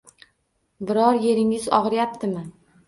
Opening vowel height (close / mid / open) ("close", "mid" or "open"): close